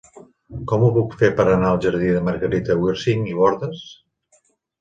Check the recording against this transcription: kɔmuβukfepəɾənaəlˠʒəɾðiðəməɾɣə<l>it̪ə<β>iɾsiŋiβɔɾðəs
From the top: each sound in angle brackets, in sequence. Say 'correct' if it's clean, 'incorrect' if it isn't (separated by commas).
incorrect, incorrect